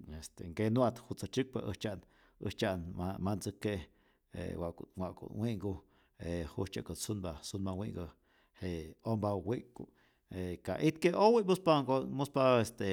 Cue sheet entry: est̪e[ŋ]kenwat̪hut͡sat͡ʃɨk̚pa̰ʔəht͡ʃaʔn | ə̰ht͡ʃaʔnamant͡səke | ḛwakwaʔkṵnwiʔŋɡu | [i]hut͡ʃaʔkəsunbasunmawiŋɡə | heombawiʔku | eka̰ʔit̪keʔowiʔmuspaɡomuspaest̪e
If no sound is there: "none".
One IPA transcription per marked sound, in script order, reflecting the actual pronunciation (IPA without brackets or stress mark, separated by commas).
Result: ŋ, e